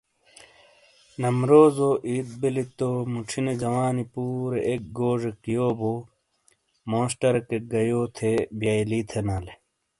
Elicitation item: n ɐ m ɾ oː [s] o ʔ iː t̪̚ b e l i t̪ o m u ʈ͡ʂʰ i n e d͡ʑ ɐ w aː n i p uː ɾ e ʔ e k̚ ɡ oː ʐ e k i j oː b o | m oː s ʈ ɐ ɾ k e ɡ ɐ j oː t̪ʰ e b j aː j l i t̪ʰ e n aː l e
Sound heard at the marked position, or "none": z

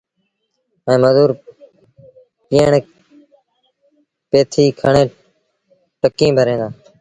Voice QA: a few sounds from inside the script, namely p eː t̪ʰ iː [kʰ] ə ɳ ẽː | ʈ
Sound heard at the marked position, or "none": kʰ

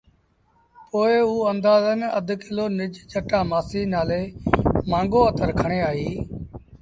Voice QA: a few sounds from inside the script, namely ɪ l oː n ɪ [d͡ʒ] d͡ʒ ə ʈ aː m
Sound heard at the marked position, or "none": d͡ʒ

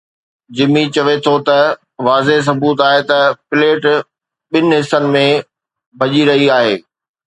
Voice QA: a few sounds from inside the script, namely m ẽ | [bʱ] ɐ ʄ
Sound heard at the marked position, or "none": bʱ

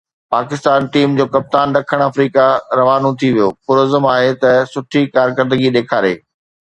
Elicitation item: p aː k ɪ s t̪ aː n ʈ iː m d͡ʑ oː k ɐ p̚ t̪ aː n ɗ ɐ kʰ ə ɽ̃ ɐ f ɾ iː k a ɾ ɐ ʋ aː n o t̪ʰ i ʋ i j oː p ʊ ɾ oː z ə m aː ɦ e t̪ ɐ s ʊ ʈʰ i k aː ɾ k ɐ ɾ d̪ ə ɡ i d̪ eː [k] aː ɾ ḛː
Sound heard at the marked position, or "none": kʰ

